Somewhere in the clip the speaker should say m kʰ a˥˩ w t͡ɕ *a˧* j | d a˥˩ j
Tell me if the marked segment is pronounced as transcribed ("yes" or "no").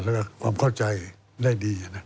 yes